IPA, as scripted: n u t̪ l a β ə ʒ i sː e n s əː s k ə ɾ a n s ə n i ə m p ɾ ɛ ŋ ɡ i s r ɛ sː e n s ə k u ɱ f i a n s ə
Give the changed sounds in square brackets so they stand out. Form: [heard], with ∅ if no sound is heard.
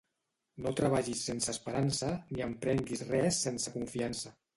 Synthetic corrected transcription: n [o] t̪ [ɾ] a β [a] ʒ i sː e n s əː s [p] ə ɾ a n s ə n i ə m p ɾ ɛ ŋ ɡ i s r ɛ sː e n s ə k u ɱ f i a n s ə